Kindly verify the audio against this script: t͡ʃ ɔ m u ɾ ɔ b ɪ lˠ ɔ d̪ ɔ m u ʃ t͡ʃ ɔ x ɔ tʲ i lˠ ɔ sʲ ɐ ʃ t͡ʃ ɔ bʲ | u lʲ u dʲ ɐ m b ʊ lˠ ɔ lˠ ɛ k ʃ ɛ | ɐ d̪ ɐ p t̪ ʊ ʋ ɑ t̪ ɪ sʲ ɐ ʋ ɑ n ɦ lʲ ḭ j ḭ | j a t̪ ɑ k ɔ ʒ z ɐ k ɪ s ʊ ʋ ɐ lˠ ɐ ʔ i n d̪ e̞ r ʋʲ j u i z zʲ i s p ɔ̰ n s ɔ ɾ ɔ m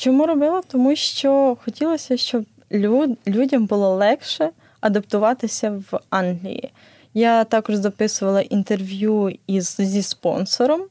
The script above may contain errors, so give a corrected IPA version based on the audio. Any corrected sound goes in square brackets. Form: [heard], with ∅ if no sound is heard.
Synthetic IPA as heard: t͡ʃ ɔ m u ɾ ɔ b ɪ lˠ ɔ [t̪] ɔ m u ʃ t͡ʃ ɔ x ɔ tʲ i lˠ ɔ sʲ ɐ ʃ t͡ʃ ɔ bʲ | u lʲ u dʲ ɐ m b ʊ lˠ ɔ lˠ ɛ k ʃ ɛ | ɐ d̪ ɐ p t̪ ʊ ʋ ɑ t̪ ɪ sʲ ɐ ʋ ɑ n ɦ lʲ ḭ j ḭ | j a t̪ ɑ k ɔ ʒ z ɐ [p] ɪ s ʊ ʋ ɐ lˠ ɐ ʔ i n [t̪] e̞ r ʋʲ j u i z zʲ i s p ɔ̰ n s ɔ ɾ ɔ m